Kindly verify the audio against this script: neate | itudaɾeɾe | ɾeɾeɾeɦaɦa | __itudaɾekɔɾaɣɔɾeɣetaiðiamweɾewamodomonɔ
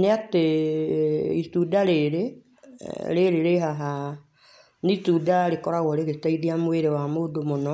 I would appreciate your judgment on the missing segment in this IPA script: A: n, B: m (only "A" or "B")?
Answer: A